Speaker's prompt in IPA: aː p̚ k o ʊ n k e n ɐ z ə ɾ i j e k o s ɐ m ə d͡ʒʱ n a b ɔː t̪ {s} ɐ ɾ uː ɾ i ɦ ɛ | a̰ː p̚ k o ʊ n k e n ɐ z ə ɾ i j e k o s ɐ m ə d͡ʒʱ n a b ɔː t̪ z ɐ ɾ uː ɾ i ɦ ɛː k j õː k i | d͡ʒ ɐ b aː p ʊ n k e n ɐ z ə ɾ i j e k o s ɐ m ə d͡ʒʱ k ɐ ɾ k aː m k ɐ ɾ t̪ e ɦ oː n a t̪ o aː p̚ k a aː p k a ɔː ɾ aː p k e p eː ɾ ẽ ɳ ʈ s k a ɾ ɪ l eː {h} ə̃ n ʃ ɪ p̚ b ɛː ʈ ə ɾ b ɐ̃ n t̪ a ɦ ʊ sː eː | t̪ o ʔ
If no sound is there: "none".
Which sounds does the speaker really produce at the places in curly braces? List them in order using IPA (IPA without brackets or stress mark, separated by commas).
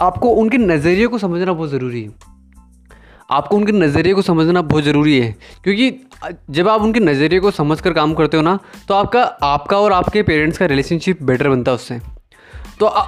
z, ʃ